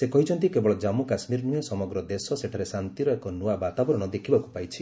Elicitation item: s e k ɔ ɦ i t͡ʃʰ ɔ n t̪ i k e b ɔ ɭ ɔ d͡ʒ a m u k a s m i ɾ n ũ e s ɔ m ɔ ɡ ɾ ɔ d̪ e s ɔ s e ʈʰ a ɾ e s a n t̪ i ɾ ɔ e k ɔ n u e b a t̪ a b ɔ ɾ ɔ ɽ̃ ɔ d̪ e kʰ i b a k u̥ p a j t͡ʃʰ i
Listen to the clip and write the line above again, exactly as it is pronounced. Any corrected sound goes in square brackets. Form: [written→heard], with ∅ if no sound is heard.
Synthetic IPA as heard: s e k ɔ ɦ i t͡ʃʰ ɔ n t̪ i k e b ɔ ɭ ɔ d͡ʒ a m u k a s m i ɾ n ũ e s ɔ m ɔ ɡ ɾ ɔ d̪ e s ɔ s e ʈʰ a ɾ e s a n t̪ i ɾ ɔ e k ɔ n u [e→a] b a t̪ a b ɔ ɾ ɔ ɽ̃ ɔ d̪ e kʰ i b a k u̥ p a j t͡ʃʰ i